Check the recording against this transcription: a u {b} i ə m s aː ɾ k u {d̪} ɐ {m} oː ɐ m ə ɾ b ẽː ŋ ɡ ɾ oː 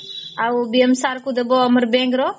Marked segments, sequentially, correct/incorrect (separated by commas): correct, correct, incorrect